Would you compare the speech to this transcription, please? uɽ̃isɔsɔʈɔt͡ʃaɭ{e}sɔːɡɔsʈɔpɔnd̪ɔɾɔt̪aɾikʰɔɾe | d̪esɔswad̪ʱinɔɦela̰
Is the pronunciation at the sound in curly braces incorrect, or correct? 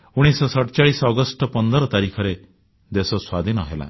incorrect